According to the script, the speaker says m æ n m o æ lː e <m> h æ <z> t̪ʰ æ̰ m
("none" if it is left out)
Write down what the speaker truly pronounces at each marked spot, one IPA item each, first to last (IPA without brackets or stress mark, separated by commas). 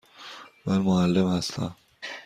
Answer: m, s